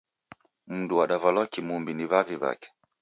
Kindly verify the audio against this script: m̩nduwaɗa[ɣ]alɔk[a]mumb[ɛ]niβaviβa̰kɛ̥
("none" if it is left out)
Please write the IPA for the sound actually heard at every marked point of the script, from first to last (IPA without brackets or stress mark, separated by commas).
v, i, i